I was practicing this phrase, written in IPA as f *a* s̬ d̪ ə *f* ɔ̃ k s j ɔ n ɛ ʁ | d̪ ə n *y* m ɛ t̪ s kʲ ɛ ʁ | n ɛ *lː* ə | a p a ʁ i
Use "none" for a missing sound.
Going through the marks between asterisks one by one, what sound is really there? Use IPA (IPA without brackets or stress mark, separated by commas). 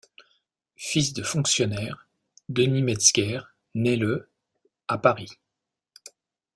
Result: i, f, i, l